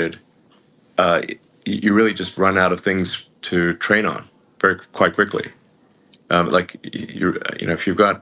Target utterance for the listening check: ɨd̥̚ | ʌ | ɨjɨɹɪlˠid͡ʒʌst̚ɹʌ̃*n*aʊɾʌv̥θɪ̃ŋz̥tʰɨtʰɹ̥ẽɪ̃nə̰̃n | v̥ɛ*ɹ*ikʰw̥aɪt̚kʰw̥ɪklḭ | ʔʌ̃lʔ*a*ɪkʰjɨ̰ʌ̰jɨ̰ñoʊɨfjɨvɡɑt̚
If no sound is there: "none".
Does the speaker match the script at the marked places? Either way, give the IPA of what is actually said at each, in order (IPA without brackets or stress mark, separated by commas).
n, ɹ, a